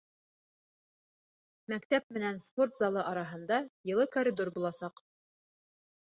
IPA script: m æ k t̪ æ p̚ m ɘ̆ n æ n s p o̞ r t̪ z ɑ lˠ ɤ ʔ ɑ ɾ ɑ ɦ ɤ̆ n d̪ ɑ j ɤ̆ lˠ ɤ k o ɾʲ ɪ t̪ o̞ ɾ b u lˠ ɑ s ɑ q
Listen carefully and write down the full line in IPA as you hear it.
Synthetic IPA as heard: m æ k t̪ æ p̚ m ɘ̆ n æ n s p o̞ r t̪ z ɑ lˠ ɤ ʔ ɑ ɾ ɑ ɦ ɤ̆ n d̪ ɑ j ɤ̆ lˠ ɤ k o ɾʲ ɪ d̪ o̞ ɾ b u lˠ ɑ s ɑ q